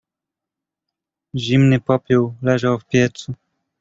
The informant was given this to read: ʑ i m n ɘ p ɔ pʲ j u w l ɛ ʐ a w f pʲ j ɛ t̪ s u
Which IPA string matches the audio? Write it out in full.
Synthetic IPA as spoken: ʑ i m n ɘ p ɔ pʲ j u w l ɛ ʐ a w f pʲ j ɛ t̪ s u

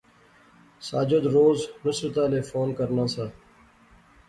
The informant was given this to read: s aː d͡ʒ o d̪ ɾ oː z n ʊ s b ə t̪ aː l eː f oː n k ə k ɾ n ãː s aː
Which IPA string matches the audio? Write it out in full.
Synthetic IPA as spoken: s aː d͡ʒ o d̪ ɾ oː z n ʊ s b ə t̪ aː l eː f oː n k ə ɾ n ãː s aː

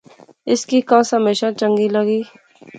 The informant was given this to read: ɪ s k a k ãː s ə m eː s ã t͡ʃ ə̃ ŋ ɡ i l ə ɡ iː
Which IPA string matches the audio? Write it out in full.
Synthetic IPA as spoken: ɪ s k i k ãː s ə m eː ʃ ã t͡ʃ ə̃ ŋ ɡ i l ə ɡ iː

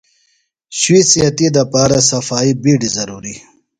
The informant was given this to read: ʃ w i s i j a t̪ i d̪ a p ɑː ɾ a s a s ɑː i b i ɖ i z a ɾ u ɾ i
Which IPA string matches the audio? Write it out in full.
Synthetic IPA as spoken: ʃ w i s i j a t̪ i d̪ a p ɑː ɾ a s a f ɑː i b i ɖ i z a ɾ u ɾ i

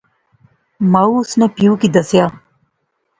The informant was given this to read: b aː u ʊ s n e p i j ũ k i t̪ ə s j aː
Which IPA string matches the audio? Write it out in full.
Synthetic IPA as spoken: m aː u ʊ s n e p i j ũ k i d̪ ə s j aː

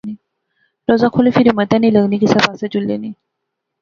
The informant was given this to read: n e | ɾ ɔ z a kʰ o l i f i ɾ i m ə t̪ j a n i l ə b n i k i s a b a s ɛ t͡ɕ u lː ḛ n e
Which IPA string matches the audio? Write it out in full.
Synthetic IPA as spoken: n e | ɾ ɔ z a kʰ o l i f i ɾ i m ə t̪ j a n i l ə ɡ n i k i s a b a s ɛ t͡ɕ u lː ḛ n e

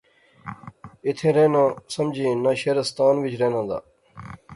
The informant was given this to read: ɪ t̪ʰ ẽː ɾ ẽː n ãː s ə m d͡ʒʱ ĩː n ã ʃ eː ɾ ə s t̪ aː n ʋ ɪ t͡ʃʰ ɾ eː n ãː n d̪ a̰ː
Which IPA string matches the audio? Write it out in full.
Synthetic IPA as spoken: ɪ t̪ʰ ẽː ɾ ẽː n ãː s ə m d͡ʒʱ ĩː n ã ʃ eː ɾ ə s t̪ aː n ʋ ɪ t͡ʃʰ ɾ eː n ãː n d̪ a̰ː

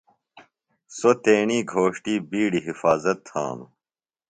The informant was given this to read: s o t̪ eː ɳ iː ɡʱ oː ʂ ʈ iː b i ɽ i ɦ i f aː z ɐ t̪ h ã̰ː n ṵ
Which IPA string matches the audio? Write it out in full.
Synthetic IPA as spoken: s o t̪ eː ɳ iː ɡʱ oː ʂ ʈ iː b iː ɽ i ɦ i f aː z ɐ t̪ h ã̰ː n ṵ

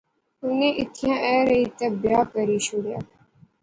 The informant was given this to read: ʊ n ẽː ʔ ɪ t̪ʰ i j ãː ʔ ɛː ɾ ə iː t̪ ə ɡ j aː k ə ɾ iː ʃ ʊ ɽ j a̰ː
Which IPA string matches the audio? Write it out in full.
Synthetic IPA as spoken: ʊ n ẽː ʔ ɪ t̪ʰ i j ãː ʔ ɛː ɾ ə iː t̪ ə b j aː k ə ɾ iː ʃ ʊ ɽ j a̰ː

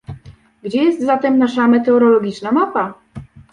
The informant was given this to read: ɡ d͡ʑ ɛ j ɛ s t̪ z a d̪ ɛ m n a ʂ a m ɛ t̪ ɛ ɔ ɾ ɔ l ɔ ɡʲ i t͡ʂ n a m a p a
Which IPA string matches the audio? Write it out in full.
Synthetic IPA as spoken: ɡ d͡ʑ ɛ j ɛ s t̪ z a t̪ ɛ m n a ʂ a m ɛ t̪ ɛ ɔ ɾ ɔ l ɔ ɡʲ i t͡ʂ n a m a p a

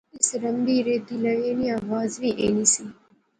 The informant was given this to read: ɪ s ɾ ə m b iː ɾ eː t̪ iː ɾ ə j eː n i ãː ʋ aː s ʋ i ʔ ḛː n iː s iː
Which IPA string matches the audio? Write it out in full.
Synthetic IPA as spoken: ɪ s ɾ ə m b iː ɾ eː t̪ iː l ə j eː n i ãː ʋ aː z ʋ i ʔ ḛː n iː s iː

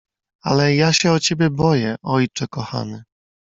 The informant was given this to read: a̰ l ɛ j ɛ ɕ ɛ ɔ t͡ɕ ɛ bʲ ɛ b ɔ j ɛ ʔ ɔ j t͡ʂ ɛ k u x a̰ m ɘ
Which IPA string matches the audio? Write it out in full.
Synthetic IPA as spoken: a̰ l ɛ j a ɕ ɛ ɔ t͡ɕ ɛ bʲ ɛ b ɔ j ɛ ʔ ɔ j t͡ʂ ɛ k ɔ x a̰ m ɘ

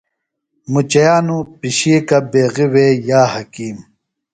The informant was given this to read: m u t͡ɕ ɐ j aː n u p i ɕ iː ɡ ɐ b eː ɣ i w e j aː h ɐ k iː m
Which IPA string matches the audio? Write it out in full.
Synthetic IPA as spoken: m u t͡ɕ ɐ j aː n u p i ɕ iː k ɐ b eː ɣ i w e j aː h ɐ k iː m

